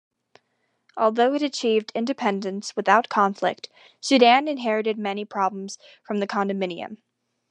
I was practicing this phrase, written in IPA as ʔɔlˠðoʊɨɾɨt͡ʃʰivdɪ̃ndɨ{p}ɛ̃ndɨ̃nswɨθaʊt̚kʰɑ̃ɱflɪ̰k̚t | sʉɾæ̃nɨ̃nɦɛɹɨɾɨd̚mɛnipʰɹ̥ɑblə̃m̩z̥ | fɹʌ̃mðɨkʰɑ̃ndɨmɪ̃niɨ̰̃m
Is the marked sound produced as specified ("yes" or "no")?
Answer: no